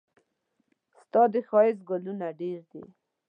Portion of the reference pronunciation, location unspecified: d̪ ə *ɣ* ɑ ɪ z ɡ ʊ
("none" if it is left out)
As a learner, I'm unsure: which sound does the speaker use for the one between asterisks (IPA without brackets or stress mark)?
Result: x